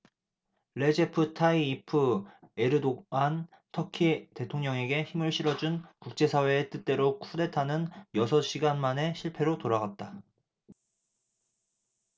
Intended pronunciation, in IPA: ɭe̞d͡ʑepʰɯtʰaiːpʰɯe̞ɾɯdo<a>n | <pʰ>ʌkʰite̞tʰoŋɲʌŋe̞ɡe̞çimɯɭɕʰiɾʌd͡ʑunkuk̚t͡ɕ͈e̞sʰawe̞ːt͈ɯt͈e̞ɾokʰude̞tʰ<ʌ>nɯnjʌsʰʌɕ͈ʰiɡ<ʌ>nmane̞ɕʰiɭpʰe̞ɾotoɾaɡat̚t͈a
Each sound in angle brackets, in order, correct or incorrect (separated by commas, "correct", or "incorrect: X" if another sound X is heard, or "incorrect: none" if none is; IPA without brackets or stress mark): correct, incorrect: tʰ, incorrect: a, incorrect: a